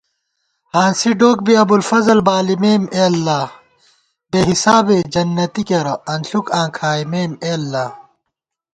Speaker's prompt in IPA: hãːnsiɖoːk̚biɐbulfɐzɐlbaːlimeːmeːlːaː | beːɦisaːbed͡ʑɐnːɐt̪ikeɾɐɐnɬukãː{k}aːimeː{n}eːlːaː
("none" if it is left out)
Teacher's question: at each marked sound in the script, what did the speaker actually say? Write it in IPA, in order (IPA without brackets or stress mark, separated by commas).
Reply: kʰ, m